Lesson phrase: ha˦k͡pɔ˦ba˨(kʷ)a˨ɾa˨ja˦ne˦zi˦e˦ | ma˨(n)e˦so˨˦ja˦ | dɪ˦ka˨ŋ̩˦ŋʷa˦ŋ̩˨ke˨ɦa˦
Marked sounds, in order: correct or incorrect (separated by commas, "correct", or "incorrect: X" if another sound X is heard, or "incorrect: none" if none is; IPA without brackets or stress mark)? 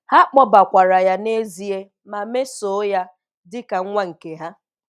correct, incorrect: m